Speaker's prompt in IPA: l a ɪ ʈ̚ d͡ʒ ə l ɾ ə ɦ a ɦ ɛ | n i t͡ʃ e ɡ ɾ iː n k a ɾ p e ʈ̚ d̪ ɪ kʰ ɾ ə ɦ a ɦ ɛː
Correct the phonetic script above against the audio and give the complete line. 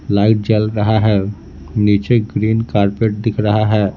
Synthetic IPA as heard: l a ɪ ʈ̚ d͡ʒ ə l ɾ ə ɦ a ɦ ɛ | n i t͡ʃ e ɡ ɾ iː n k a ɾ p e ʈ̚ d̪ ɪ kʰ ɾ ə ɦ a ɦ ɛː